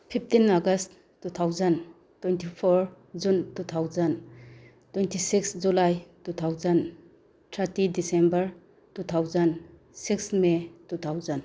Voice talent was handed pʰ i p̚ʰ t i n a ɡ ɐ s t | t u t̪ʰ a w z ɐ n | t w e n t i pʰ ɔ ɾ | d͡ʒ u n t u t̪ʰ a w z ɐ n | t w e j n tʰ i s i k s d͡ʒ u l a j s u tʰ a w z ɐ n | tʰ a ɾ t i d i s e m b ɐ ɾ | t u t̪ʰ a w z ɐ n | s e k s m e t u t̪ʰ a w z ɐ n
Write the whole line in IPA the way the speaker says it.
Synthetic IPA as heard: pʰ i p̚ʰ t i n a ɡ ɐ s t | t u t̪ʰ a w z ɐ n | t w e n t i pʰ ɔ ɾ | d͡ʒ u n t u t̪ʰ a w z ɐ n | t w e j n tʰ i s i k s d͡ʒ u l a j t u tʰ a w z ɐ n | tʰ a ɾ t i d i s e m b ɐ ɾ | t u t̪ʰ a w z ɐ n | s i k s m e t u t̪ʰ a w z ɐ n